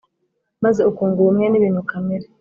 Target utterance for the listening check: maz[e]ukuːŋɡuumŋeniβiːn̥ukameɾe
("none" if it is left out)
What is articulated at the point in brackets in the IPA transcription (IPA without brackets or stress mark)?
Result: e